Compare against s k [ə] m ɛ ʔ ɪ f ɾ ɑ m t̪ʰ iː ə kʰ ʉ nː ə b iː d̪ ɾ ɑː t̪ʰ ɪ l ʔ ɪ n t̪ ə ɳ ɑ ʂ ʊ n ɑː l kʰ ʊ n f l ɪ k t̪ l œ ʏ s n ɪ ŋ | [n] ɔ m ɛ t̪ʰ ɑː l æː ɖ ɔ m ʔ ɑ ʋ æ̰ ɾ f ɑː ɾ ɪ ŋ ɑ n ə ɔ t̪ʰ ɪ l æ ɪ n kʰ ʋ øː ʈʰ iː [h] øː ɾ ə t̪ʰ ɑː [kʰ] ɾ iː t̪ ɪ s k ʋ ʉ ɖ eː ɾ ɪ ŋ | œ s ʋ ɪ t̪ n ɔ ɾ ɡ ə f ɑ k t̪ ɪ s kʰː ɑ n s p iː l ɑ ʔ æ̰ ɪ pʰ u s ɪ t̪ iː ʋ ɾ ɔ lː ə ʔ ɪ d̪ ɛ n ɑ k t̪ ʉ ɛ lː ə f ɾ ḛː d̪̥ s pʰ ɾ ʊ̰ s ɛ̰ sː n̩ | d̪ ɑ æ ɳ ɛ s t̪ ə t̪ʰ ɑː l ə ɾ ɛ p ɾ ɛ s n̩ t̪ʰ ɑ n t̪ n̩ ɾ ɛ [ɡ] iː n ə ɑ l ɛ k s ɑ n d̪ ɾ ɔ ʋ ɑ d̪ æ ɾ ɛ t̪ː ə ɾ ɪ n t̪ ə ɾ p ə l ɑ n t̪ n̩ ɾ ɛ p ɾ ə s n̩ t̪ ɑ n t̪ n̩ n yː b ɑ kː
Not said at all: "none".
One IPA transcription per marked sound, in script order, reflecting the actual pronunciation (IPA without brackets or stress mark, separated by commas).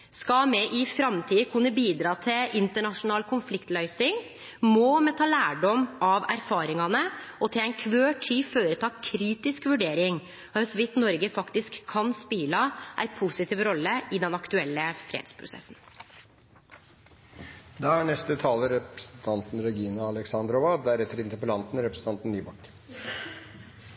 ɑ, m, f, kʰ, ɡ